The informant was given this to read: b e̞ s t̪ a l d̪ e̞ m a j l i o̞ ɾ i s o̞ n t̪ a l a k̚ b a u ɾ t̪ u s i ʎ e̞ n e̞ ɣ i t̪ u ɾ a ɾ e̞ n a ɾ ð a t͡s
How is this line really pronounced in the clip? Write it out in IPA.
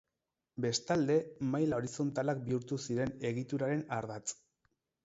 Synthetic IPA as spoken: b e̞ s t̪ a l d̪ e̞ m a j l a o̞ ɾ i s o̞ n t̪ a l a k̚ b i u ɾ t̪ u s i ɾ e̞ n e̞ ɣ i t̪ u ɾ a ɾ e̞ n a ɾ ð a t͡s